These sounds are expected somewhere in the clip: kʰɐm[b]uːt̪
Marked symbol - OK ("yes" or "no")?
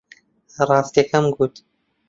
no